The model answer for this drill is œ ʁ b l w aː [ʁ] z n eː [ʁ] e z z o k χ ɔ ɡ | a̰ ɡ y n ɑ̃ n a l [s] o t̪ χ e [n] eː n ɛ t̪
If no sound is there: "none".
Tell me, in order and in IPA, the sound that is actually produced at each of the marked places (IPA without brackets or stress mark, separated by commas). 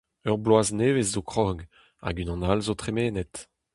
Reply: none, v, z, m